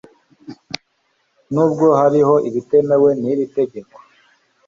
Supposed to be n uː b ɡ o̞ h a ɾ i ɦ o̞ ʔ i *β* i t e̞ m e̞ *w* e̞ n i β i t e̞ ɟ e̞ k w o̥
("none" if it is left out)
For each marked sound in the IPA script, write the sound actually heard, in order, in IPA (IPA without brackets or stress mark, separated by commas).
β, w